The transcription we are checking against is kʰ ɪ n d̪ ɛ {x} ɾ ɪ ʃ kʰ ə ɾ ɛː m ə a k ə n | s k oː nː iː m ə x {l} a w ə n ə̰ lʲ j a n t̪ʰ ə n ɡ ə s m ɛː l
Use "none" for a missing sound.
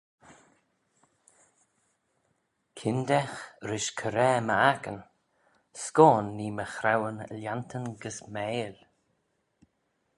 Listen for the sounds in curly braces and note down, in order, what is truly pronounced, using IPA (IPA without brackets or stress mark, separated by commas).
x, ɾ